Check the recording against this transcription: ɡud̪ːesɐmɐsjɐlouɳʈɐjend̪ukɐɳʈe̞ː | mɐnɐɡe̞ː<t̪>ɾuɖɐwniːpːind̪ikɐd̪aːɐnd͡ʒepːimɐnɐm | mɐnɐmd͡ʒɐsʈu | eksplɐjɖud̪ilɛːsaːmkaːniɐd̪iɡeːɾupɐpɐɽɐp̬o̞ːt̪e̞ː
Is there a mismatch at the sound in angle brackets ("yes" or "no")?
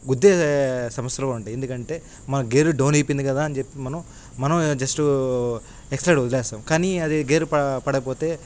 yes